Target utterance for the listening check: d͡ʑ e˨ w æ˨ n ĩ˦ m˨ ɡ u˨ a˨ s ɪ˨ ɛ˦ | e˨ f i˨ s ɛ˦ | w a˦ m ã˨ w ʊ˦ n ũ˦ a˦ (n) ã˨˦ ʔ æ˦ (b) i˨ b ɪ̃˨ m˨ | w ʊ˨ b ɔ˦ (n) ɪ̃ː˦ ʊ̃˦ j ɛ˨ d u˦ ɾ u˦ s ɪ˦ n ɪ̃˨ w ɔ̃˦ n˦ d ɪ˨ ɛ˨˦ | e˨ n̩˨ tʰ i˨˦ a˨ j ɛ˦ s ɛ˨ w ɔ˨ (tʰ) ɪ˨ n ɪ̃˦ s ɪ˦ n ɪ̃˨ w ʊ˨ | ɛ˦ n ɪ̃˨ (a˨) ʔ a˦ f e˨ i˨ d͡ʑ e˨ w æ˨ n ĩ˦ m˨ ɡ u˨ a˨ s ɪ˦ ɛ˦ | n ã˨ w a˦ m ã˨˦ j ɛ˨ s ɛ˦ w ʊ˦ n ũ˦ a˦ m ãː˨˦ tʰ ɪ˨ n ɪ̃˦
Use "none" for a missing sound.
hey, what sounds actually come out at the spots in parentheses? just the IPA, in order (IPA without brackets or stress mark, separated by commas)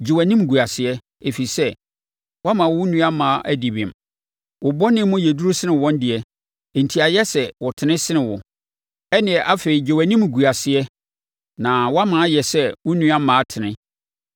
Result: m, d, n, tʰ, ɛ˨